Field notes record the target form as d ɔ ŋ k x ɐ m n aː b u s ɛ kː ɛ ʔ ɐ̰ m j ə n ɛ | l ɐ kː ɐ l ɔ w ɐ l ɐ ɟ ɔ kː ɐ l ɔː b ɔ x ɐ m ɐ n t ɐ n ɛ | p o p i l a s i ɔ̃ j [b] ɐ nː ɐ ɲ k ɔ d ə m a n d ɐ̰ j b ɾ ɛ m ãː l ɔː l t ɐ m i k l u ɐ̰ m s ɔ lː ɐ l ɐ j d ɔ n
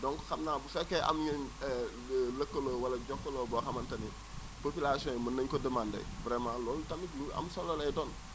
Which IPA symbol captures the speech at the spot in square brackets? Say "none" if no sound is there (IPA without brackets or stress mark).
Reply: m